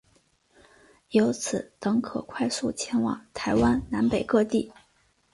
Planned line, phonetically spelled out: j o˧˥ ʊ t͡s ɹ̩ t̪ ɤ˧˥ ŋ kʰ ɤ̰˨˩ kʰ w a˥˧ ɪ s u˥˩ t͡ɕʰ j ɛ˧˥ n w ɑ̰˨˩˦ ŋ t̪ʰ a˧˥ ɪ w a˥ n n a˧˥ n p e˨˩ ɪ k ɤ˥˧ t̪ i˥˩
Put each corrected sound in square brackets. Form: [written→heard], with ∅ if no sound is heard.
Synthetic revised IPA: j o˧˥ ʊ [t͡s→t͡sʰ] ɹ̩ t̪ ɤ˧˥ ŋ kʰ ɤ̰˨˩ kʰ w a˥˧ ɪ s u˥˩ t͡ɕʰ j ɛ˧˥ n w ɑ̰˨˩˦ ŋ t̪ʰ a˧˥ ɪ w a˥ n n a˧˥ n p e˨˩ ɪ k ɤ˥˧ t̪ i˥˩